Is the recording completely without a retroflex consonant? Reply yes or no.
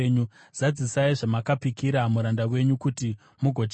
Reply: no